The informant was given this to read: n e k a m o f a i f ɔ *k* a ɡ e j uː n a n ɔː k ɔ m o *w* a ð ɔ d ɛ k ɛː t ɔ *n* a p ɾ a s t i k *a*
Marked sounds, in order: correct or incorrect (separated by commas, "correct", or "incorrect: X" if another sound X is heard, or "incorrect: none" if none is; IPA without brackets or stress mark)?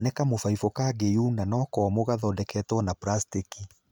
correct, incorrect: ɣ, correct, incorrect: i